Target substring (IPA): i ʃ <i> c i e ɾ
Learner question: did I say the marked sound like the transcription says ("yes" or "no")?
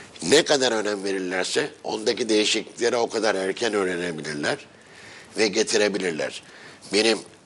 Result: yes